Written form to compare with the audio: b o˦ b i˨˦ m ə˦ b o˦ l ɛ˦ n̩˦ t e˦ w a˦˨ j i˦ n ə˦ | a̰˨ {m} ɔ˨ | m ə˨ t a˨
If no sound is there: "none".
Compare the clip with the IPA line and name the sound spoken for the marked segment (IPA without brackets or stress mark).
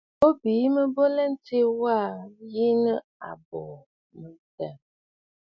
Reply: b